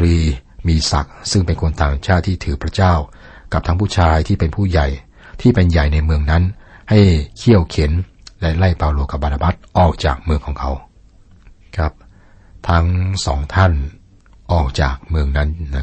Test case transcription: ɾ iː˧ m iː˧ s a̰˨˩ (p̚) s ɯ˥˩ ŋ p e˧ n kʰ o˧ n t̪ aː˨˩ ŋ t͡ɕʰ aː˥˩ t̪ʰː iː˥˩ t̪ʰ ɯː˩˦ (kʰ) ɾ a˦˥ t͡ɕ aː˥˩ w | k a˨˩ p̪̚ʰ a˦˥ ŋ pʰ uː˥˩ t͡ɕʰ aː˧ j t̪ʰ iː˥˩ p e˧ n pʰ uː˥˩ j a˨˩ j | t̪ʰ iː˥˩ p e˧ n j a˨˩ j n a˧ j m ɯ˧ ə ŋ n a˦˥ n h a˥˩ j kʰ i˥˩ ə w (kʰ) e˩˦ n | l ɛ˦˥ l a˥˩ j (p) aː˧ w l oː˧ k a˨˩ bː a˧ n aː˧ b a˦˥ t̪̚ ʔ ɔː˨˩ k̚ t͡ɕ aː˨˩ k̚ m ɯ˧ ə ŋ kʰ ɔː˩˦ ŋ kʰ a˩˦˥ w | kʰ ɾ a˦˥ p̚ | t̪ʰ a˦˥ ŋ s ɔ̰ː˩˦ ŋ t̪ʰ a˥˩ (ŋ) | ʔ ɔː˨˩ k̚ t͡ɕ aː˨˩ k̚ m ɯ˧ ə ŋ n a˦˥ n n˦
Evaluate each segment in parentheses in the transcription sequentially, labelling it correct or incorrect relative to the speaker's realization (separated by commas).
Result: incorrect, incorrect, correct, correct, incorrect